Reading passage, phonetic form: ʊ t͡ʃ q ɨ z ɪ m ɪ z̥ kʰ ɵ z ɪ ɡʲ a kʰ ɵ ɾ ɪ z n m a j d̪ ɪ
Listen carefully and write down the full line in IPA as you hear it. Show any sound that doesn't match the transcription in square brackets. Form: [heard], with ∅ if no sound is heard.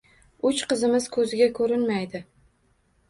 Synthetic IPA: ʊ t͡ʃ q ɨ z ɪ m ɪ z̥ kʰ ɵ z ɪ ɡʲ a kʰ ɵ ɾ ɪ [∅] n m a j d̪ ɪ